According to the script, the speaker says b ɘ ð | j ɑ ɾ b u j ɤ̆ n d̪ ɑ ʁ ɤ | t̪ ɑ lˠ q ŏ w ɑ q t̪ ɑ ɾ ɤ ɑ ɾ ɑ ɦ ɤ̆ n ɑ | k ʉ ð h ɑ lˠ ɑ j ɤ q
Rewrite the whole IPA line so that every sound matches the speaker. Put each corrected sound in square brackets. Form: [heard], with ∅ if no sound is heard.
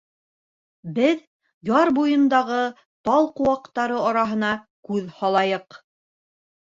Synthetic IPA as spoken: b ɘ ð | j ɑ ɾ b u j ɤ̆ n d̪ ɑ ʁ ɤ | t̪ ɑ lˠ q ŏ w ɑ q t̪ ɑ ɾ ɤ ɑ ɾ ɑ ɦ ɤ̆ n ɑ | k ʉ ð h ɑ lˠ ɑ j ɤ q

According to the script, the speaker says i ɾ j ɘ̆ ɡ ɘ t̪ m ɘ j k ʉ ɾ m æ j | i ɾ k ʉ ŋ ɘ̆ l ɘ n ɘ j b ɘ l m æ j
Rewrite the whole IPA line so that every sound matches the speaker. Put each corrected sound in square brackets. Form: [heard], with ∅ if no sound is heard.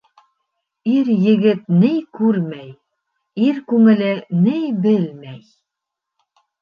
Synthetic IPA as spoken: i ɾ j ɘ̆ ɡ ɘ t̪ [n] ɘ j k ʉ ɾ m æ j | i ɾ k ʉ ŋ ɘ̆ l ɘ n ɘ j b ɘ l m æ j

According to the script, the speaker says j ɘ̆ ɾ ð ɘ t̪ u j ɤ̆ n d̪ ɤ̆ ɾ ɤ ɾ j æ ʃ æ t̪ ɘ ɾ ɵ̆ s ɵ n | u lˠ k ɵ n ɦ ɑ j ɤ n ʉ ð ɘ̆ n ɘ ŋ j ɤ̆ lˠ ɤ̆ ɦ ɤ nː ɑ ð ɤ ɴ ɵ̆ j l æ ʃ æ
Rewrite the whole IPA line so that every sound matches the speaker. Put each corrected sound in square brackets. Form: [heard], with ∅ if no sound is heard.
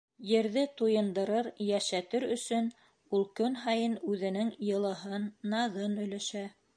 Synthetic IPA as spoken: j ɘ̆ ɾ ð ɘ t̪ u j ɤ̆ n d̪ ɤ̆ ɾ ɤ ɾ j æ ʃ æ t̪ ɘ ɾ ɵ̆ s ɵ n | u lˠ k ɵ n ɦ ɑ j ɤ n ʉ ð ɘ̆ n ɘ ŋ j ɤ̆ lˠ ɤ̆ ɦ ɤ nː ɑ ð ɤ [n] ɵ̆ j l æ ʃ æ

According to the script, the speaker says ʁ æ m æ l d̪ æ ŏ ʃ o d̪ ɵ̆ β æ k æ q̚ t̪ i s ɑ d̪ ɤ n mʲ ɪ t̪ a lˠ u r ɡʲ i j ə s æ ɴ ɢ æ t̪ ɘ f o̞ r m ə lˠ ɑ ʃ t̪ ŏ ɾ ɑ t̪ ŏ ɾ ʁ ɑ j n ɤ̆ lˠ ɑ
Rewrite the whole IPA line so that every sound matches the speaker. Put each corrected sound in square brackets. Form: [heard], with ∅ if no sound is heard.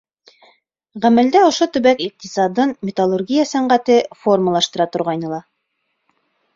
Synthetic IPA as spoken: ʁ æ m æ l d̪ æ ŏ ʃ o [t̪] ɵ̆ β æ k [i] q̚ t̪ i s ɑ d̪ ɤ n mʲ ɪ t̪ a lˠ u r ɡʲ i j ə s æ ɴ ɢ æ t̪ ɘ f o̞ r m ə lˠ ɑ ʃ t̪ [ɤ̆] ɾ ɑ t̪ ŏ ɾ ʁ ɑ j n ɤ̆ lˠ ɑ

